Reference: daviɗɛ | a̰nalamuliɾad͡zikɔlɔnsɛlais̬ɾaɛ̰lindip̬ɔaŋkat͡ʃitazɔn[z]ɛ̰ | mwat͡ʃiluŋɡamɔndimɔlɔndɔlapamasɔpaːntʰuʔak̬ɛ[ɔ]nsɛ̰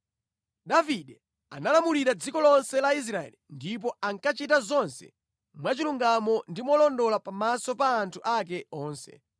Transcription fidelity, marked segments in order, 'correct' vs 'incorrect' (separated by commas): incorrect, incorrect